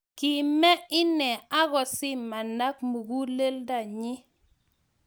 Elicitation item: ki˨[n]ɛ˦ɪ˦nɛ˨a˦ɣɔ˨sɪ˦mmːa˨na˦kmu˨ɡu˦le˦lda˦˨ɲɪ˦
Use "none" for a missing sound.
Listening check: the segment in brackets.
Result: m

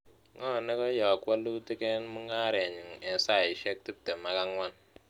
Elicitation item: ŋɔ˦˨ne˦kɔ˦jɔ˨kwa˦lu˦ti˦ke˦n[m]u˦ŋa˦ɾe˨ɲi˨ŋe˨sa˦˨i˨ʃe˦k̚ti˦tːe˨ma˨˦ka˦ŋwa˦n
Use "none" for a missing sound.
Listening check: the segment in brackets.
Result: m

